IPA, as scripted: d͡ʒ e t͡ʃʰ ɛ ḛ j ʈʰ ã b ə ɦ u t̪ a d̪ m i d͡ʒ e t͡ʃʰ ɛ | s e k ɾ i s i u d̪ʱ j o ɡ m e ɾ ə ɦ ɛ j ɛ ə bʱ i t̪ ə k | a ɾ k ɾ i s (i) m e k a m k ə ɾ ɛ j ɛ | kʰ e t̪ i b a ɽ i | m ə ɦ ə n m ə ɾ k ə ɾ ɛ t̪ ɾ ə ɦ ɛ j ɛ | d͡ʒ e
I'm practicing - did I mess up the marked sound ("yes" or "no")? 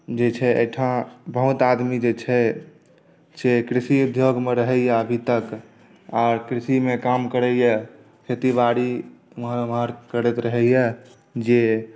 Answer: no